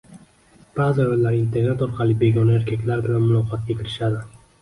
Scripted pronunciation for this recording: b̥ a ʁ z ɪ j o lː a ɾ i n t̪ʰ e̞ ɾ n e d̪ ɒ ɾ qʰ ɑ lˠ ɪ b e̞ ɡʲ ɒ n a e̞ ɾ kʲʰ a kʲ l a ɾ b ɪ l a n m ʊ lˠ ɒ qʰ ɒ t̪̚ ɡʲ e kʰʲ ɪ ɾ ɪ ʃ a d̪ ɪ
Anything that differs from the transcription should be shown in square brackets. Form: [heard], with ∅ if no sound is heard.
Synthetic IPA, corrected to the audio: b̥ a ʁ z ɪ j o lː a ɾ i n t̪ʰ e̞ ɾ n e [t̪] ɒ ɾ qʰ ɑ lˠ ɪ b e̞ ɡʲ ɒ n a e̞ ɾ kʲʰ a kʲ l a ɾ b ɪ l a n m ʊ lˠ ɒ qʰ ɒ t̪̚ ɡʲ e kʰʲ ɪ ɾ ɪ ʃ a d̪ ɪ

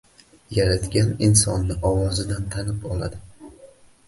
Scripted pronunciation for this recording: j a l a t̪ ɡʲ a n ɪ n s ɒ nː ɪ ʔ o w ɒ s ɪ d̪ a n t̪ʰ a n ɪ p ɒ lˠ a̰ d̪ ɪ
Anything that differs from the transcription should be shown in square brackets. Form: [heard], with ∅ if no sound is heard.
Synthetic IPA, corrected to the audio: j a [ɾ] a t̪ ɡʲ a n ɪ n s ɒ nː ɪ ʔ [ɒ] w ɒ [z] ɪ d̪ a n t̪ʰ a n ɪ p ɒ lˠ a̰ d̪ ɪ

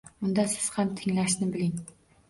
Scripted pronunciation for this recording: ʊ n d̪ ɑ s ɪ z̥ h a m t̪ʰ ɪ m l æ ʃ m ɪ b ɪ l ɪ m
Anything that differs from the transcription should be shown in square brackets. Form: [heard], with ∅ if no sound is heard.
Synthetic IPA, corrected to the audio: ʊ n d̪ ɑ s ɪ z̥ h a m t̪ʰ ɪ [ŋ] l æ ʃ [n] ɪ b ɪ l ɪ [ŋ]

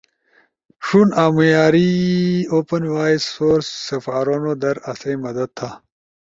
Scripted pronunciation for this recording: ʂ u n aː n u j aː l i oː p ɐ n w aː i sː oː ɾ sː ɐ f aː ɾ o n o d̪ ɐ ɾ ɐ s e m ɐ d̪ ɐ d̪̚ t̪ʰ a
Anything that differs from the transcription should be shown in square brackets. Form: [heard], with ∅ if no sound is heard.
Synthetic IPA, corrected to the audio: ʂ u n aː [m] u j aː [ɾ] i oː p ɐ n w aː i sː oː ɾ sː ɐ f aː ɾ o n o d̪ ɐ ɾ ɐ s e m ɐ d̪ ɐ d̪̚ t̪ʰ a

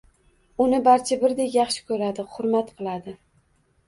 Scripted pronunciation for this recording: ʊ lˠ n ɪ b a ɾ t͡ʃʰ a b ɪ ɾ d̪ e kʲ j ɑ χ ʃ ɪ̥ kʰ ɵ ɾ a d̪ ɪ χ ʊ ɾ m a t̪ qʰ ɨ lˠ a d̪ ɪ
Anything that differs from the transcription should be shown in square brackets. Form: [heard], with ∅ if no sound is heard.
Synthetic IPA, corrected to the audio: ʊ [∅] n ɪ b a ɾ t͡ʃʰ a b ɪ ɾ d̪ e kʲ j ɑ χ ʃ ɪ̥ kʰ ɵ ɾ a d̪ ɪ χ ʊ ɾ m a t̪ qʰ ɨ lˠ a d̪ ɪ

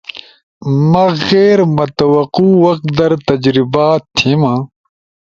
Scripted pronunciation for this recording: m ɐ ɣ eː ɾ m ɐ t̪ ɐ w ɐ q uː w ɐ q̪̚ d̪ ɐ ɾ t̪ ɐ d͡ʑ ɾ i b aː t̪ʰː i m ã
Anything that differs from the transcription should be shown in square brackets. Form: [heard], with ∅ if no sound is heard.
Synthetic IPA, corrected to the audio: m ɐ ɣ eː ɾ m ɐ t̪ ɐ w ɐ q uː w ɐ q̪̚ d̪ ɐ ɾ t̪ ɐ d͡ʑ ɾ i b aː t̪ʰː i m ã

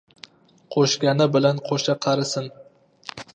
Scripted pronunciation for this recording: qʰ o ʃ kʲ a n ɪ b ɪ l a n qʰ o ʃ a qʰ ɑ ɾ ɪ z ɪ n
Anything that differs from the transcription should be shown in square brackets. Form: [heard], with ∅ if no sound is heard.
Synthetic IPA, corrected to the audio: qʰ o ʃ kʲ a n ɪ b ɪ l a n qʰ o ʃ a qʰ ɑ ɾ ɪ [s] ɪ n

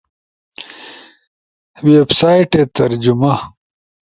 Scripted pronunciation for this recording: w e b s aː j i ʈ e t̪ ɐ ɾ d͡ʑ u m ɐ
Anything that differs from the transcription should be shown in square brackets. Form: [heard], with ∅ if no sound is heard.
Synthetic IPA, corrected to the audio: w e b s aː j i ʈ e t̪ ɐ ɾ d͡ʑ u m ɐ

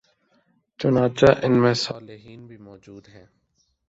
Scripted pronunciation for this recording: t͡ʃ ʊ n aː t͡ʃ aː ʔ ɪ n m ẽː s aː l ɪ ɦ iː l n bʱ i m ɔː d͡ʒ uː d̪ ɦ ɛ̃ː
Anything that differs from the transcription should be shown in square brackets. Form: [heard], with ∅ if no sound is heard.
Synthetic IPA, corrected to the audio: t͡ʃ ʊ n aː t͡ʃ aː ʔ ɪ n m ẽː s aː l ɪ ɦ iː [∅] n bʱ i m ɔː d͡ʒ uː d̪ ɦ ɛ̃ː

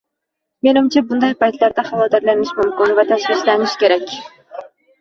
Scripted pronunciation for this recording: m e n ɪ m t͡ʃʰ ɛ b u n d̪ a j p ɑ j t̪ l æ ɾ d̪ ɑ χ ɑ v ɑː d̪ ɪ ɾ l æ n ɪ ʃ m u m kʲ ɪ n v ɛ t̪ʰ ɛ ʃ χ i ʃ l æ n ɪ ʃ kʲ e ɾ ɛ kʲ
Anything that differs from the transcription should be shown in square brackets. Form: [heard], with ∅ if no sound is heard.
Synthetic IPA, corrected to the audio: m e n ɪ m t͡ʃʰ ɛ b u n d̪ [ɑ] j p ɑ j t̪ l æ ɾ d̪ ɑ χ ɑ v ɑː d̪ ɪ ɾ l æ n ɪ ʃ m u m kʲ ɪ n v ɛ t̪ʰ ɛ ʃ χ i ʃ l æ n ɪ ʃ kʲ e ɾ ɛ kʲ

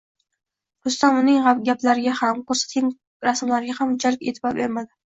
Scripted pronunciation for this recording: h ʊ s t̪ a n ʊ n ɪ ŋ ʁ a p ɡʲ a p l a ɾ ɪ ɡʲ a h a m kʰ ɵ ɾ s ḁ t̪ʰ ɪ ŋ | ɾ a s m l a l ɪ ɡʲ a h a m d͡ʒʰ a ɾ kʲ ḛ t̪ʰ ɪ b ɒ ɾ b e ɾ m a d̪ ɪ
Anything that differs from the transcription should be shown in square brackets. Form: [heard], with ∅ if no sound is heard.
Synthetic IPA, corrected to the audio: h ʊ s t̪ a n ʊ n ɪ ŋ ʁ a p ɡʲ a p l a ɾ ɪ ɡʲ a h a m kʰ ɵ ɾ s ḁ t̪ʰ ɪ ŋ | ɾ a s m l a [ɾ] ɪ ɡʲ a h a m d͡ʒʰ a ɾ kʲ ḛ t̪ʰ ɪ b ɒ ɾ b e ɾ m a d̪ ɪ

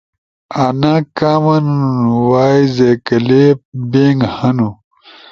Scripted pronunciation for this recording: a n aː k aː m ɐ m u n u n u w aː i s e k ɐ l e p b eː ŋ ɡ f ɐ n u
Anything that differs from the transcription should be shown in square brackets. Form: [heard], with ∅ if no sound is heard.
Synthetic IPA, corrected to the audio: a n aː k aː m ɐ [n] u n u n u w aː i [z] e k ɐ l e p b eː ŋ ɡ [h] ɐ n u

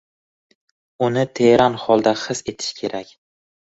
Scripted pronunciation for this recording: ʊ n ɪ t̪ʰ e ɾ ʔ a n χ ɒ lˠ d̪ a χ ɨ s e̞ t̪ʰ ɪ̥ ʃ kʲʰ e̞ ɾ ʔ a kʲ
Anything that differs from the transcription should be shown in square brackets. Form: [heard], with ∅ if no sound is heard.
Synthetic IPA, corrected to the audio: ʊ n ɪ t̪ʰ e ɾ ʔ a n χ ɒ lˠ d̪ a χ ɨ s e̞ t̪ʰ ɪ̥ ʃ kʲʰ e̞ ɾ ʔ a kʲ

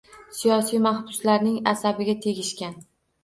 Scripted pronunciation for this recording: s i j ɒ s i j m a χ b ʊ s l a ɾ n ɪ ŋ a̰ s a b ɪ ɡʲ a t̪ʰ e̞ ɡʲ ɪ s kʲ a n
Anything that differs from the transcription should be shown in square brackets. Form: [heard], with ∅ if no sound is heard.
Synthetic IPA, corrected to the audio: s i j ɒ s i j m a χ b ʊ s l a ɾ n ɪ ŋ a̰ s a b ɪ ɡʲ a t̪ʰ e̞ ɡʲ ɪ [ʃ] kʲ a n

